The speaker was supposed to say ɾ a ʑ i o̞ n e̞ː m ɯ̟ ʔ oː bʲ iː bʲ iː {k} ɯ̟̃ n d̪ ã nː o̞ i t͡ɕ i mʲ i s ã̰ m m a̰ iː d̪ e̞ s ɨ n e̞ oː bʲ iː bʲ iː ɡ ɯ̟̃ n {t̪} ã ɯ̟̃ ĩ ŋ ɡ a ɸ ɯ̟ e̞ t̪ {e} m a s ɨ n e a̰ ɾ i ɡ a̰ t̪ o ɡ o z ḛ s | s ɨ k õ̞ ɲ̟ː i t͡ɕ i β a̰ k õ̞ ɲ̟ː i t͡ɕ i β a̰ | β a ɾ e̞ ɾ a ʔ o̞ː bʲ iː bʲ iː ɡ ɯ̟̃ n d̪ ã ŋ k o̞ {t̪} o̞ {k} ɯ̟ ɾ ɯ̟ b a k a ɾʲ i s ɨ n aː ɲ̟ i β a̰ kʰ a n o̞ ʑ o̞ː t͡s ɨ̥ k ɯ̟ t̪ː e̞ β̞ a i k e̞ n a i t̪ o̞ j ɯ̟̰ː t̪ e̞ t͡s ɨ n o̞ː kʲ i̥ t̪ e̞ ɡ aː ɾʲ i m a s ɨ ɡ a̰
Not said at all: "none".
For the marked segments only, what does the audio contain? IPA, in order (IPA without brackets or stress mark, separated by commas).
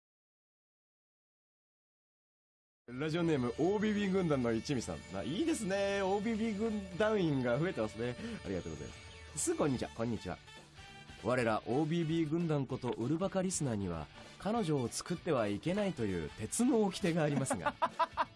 ɡ, d̪, e, t̪, ʔ